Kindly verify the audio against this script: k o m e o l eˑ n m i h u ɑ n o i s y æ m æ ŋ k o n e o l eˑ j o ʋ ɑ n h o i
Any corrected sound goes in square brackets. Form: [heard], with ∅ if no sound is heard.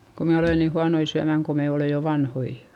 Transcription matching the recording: k o m e o l eˑ n [n] i h u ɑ n o i s y æ m æ ŋ k o [m] e o l eˑ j o ʋ ɑ n h o i